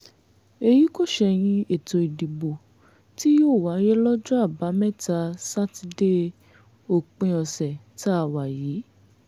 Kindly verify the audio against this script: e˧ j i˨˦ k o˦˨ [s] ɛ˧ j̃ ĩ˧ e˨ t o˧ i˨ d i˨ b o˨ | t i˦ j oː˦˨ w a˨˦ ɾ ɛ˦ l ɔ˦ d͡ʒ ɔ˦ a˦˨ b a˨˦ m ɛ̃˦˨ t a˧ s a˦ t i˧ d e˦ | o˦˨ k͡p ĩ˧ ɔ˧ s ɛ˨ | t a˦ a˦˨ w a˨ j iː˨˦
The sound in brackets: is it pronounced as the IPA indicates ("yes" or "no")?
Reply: no